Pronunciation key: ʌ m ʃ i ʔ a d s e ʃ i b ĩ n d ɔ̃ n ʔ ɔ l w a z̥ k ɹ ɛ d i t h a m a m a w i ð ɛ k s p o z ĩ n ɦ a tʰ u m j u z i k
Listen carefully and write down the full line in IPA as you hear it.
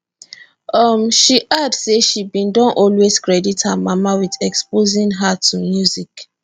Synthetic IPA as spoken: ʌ m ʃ i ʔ a d s e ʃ i b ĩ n d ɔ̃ n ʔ ɔ l w e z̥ k ɹ ɛ d i t h a m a m a w i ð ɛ k s p o z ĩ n ɦ a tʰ u m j u z i k